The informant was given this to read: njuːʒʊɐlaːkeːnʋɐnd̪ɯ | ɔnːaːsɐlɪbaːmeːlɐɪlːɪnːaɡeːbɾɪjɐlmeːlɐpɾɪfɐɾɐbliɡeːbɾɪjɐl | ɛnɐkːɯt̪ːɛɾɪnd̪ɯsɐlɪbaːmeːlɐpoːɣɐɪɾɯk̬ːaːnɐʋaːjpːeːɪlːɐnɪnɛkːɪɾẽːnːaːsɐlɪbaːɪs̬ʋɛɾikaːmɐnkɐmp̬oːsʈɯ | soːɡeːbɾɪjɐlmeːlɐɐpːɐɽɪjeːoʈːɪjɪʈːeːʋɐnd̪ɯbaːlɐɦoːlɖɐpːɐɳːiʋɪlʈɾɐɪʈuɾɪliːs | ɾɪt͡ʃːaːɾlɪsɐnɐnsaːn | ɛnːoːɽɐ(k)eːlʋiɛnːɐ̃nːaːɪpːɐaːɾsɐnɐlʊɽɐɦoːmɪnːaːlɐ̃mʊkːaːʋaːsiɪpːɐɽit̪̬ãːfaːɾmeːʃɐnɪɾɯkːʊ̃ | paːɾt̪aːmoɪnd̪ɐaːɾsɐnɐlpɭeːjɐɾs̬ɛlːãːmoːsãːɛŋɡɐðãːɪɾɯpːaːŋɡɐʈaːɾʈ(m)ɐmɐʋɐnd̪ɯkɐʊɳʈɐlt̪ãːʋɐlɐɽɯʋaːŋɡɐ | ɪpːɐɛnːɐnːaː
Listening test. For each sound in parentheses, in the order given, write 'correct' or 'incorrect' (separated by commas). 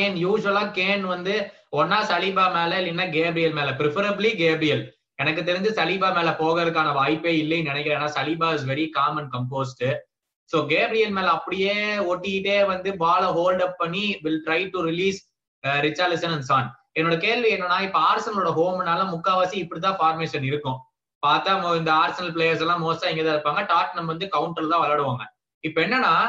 correct, incorrect